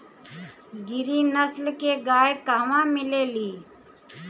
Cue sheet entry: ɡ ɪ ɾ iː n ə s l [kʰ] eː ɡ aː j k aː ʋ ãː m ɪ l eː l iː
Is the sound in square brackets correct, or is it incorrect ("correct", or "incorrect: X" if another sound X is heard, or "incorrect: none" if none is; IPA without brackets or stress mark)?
incorrect: k